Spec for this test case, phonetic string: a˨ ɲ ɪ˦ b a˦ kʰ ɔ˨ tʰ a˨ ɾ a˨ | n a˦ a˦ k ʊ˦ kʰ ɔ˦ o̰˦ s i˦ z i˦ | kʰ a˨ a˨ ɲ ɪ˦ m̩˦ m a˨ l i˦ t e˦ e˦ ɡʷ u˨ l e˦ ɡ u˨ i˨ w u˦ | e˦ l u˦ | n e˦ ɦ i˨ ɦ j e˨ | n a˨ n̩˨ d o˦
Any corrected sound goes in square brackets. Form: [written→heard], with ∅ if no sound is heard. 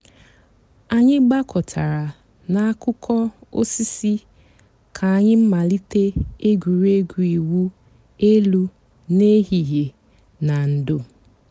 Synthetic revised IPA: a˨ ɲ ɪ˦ [b→ɡ͡b] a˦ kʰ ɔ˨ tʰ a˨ ɾ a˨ | n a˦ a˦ k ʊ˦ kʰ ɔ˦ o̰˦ s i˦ [z→s] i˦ | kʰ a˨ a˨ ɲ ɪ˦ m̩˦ m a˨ l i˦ t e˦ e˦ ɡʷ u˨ [l→ɾ] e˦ ɡ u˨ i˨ w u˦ | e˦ l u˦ | n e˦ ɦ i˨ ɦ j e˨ | n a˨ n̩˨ d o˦